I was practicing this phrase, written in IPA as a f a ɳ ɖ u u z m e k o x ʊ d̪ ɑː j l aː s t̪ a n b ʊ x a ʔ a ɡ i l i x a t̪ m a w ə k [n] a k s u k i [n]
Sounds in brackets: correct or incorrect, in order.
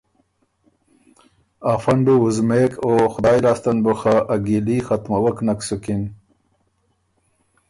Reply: correct, correct

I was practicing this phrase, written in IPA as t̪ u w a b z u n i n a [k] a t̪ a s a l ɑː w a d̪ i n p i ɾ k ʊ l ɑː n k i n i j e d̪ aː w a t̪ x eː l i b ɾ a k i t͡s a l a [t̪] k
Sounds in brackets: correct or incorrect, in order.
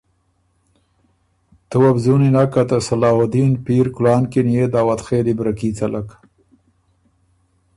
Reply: correct, incorrect: none

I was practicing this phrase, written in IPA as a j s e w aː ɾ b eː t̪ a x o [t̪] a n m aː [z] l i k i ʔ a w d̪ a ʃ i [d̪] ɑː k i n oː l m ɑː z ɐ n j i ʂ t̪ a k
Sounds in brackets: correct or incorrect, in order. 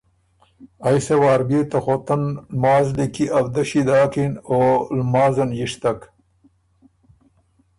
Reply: correct, correct, correct

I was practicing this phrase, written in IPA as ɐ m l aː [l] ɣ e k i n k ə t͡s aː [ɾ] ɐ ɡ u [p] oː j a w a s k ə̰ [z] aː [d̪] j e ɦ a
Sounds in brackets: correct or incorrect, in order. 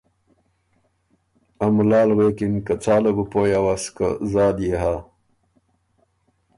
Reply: correct, incorrect: l, correct, correct, correct

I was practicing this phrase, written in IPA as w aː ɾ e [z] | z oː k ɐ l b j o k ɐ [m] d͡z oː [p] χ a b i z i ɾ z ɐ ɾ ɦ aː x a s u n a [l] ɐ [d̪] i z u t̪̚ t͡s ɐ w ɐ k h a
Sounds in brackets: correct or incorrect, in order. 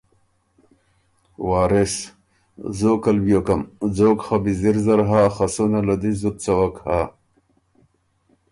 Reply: incorrect: s, correct, incorrect: k, correct, correct

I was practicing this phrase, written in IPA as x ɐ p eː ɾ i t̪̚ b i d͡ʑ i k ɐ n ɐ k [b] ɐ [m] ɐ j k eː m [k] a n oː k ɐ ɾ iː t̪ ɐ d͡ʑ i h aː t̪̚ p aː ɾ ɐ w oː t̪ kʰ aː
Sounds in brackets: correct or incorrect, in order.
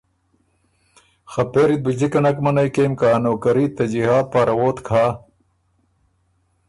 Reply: incorrect: m, incorrect: n, correct

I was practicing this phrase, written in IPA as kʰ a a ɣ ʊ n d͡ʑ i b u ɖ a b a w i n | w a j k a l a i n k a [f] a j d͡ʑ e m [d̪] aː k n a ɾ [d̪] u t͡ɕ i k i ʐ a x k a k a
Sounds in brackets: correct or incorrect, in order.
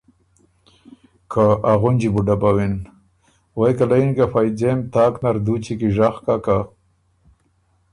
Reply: correct, incorrect: t̪, correct

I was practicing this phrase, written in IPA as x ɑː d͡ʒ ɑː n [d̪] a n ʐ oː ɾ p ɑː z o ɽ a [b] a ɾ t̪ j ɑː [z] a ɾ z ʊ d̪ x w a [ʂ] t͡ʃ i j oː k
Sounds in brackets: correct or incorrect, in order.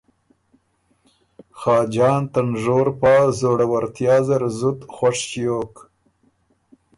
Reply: incorrect: t̪, incorrect: w, correct, correct

